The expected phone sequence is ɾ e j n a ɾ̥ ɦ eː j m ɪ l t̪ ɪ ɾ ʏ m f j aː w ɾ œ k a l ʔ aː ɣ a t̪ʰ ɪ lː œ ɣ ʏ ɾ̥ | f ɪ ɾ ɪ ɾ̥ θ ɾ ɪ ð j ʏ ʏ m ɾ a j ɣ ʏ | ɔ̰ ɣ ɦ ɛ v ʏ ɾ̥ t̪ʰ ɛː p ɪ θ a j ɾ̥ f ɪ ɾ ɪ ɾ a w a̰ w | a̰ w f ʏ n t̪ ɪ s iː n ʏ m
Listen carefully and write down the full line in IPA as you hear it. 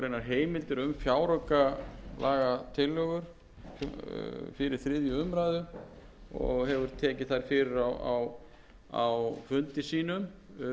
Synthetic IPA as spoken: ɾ e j n a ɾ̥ ɦ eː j m ɪ l t̪ ɪ ɾ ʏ m f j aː w ɾ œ k a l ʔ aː ɣ a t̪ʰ ɪ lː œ ɣ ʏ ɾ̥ | f ɪ ɾ ɪ ɾ̥ θ ɾ ɪ ð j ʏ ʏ m ɾ a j ð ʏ | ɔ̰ ɣ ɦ ɛ v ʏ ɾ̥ t̪ʰ ɛː c ɪ θ a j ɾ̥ f ɪ ɾ ɪ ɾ a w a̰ w | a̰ w f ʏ n t̪ ɪ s iː n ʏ m

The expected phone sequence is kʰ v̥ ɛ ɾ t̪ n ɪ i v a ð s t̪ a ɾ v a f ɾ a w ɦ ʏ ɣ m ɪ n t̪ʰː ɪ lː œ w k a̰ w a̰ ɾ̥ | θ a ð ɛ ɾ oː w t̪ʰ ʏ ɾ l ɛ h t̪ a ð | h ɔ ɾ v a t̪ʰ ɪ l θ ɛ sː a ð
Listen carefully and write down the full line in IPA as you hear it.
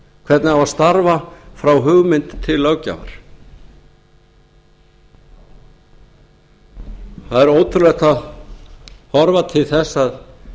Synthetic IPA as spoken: kʰ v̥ ɛ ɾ t̪ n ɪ a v a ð s t̪ a ɾ v a f ɾ a w ɦ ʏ ɣ m ɪ n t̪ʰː ɪ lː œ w c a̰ v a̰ ɾ̥ | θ a ð ɛ ɾ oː w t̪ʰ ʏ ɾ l ɛ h t̪ a ð | h ɔ ɾ v a t̪ʰ ɪ l θ ɛ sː a ð

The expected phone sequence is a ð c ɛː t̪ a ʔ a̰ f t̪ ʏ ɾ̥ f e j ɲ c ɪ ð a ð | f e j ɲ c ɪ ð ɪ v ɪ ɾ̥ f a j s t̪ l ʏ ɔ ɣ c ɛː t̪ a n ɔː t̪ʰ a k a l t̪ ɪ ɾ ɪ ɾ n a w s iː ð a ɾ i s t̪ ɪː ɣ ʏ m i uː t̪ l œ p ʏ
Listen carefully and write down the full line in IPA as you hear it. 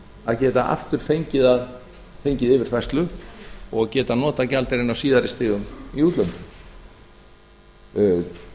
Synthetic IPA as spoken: a ð c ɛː t̪ a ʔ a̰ f t̪ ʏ ɾ̥ f e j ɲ c ɪ ð a ð | f e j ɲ c ɪ ð ɪ v ɪ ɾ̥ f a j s t̪ l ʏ ɔ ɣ c ɛː t̪ a n ɔː t̪ a c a l t̪ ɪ ɾ ɪ n a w s iː ð a ɾ ɪ s t̪ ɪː ɣ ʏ m i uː t̪ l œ p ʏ

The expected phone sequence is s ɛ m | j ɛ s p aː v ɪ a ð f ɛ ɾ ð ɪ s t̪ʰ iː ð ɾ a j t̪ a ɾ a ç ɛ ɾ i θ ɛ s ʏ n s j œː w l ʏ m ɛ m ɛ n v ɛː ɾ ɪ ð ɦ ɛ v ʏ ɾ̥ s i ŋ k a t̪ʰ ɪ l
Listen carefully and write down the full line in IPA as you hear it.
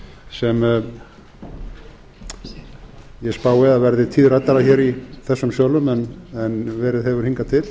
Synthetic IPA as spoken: s ɛ m | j ɛ s p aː w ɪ a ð v ɛ ɾ ð ɪ t̪ʰ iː ð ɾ a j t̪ a ɾ a ç ɛ ɾ i θ ɛ sː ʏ m s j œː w l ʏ m ɛ n ɛ n v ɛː ɾ ɪ ð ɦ ɛ v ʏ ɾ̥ h i ŋ k a t̪ʰ ɪ l

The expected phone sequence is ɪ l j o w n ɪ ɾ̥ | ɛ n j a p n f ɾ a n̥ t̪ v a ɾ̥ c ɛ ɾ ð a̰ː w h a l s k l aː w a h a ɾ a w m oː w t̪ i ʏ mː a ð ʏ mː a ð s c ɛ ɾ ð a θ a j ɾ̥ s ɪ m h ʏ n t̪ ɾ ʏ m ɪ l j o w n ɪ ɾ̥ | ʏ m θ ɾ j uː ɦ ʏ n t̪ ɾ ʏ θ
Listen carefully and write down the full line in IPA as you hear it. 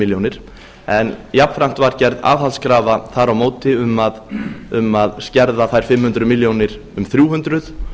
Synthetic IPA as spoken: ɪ l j o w n ɪ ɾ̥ | ɛ n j a p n f ɾ a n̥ t̪ v a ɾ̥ c ɛ ɾ ð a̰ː v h a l s k ɾ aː v a θ a ɾ a w m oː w t̪ ɪ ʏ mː a ð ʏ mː a ð s c ɛ ɾ ð a θ a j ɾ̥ f ɪ m h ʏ n t̪ ɾ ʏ m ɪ l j o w n ɪ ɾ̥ | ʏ m θ ɾ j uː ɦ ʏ n t̪ ɾ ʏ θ

